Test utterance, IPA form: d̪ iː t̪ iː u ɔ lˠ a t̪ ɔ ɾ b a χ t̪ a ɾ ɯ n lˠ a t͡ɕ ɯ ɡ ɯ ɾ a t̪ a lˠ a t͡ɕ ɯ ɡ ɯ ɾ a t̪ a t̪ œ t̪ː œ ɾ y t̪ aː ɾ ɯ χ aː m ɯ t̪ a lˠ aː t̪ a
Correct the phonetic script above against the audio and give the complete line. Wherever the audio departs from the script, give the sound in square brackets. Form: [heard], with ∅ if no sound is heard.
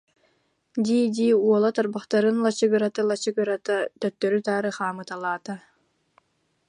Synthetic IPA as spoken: d̪ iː [d̪] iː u ɔ lˠ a t̪ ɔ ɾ b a χ t̪ a ɾ ɯ n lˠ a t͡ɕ ɯ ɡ ɯ ɾ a t̪ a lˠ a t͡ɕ ɯ ɡ ɯ ɾ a t̪ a t̪ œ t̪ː œ ɾ y t̪ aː ɾ ɯ χ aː m ɯ t̪ a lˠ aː t̪ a

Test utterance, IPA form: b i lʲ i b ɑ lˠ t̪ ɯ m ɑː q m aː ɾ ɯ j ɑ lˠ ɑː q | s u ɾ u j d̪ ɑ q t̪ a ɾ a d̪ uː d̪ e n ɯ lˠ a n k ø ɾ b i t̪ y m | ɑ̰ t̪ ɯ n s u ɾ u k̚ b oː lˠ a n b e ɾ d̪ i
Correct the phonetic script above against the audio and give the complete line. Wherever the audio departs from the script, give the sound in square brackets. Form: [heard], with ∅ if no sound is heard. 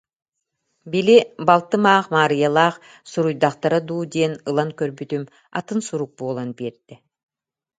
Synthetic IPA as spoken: b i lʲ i b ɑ lˠ t̪ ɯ m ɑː q m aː ɾ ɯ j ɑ lˠ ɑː q | s u ɾ u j d̪ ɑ q t̪ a ɾ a d̪ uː d̪ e n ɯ lˠ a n k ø ɾ b [y] t̪ y m | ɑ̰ t̪ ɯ n s u ɾ u k̚ b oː lˠ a n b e ɾ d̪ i

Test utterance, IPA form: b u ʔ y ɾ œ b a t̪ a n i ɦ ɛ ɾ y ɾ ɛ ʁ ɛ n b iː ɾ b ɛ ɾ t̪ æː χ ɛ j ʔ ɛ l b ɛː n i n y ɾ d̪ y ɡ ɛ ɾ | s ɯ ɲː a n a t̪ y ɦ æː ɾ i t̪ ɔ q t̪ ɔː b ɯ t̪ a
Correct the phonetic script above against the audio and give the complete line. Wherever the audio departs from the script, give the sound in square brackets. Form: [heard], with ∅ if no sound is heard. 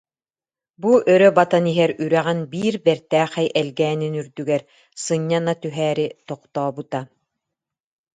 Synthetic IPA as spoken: b u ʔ [œ] ɾ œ b a t̪ a n i ɦ ɛ ɾ y ɾ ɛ ʁ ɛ n b iː ɾ b ɛ ɾ t̪ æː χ ɛ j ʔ ɛ l [ɡ] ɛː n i n y ɾ d̪ y ɡ ɛ ɾ | s ɯ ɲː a n a t̪ y ɦ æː ɾ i t̪ ɔ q t̪ ɔː b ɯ t̪ a

